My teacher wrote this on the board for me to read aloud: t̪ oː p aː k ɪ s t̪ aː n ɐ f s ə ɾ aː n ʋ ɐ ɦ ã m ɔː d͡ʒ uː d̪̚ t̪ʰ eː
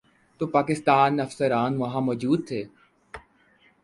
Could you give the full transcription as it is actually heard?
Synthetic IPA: t̪ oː p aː k ɪ s t̪ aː n ɐ f s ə ɾ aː n ʋ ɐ ɦ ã m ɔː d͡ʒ uː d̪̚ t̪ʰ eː